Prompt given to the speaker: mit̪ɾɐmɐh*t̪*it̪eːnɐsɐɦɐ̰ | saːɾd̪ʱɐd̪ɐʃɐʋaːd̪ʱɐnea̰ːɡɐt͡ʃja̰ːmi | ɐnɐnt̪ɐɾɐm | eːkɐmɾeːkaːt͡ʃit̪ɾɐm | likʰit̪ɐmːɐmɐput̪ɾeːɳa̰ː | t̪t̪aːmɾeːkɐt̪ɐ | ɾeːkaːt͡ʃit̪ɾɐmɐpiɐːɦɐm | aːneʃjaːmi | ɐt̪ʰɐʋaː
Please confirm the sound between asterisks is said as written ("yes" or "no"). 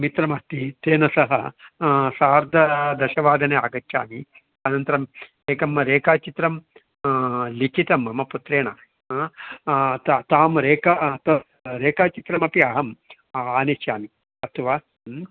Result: yes